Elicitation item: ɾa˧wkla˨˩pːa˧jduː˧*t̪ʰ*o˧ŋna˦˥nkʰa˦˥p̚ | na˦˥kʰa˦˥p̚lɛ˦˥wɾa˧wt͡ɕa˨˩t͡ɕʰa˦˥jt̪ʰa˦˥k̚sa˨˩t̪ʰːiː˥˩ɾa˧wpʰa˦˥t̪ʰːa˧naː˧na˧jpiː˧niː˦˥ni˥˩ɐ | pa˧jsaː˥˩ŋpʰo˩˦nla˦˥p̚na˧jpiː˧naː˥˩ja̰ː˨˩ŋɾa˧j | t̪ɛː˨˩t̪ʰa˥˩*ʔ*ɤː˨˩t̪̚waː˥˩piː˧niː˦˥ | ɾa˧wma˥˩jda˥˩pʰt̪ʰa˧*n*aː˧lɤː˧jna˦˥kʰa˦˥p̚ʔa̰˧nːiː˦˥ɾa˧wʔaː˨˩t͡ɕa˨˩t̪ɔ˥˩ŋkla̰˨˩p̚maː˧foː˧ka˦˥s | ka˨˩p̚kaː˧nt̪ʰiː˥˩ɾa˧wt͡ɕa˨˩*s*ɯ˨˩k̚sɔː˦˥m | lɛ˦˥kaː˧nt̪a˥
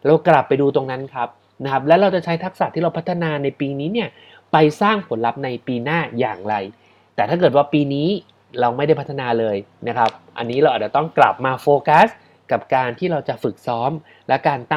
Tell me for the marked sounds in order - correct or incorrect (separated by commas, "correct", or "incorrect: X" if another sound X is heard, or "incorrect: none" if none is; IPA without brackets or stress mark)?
incorrect: t̪, incorrect: k, correct, incorrect: f